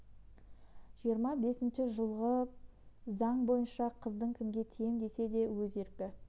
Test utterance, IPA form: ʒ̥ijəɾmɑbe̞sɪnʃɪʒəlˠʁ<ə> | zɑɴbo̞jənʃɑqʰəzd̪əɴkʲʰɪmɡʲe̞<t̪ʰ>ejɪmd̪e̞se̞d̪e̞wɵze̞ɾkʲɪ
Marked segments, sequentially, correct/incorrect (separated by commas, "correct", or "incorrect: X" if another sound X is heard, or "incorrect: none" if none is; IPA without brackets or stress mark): correct, correct